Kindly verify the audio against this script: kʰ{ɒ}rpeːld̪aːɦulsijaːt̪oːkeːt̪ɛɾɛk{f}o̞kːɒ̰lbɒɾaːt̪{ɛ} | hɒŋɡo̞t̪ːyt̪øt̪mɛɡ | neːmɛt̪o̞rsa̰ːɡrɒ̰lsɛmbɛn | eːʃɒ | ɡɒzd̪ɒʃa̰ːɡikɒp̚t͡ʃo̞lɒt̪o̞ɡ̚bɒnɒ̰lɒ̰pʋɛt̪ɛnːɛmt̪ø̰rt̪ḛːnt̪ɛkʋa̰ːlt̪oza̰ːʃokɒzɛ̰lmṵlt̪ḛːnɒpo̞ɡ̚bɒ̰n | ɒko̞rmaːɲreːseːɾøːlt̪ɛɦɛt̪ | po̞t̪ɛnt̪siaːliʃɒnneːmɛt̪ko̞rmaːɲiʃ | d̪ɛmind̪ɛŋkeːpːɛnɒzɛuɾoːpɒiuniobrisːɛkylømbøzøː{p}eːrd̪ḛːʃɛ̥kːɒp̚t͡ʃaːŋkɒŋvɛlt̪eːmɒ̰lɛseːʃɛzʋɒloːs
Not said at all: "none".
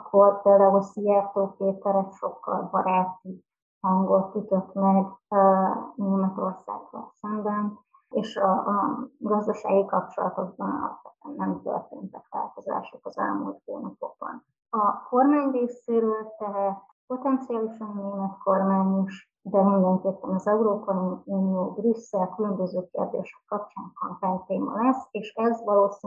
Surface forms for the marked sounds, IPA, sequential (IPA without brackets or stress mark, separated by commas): o, ʃ, i, k